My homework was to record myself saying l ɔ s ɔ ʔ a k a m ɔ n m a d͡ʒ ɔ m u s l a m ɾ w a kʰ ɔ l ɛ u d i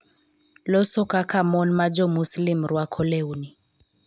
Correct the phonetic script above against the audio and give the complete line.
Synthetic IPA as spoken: l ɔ s ɔ k a k a m ɔ n m a d͡ʒ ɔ m u s l i m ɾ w a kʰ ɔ l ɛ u n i